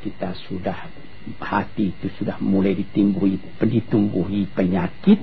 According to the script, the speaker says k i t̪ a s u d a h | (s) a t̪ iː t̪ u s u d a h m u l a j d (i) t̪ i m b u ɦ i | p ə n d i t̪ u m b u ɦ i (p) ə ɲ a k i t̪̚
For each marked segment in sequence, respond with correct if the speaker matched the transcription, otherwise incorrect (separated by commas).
incorrect, correct, correct